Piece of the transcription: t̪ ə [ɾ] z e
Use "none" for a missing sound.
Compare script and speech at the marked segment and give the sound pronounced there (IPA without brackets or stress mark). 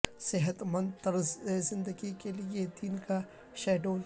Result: ɾ